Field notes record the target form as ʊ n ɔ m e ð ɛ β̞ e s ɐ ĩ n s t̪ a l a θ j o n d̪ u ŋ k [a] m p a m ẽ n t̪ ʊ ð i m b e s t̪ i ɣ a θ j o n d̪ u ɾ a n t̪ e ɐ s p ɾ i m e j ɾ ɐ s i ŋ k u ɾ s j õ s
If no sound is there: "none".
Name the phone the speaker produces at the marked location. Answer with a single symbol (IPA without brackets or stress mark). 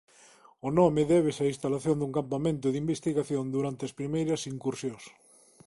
a